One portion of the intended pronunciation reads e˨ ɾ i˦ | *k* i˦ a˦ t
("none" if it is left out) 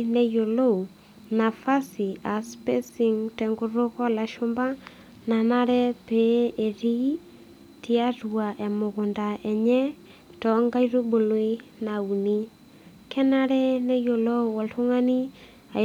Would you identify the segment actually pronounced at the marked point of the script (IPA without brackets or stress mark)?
t